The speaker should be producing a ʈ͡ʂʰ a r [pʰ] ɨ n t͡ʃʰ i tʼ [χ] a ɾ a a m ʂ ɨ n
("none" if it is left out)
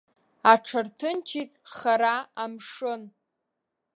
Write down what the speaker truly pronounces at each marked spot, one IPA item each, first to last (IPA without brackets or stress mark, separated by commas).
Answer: tʰ, χ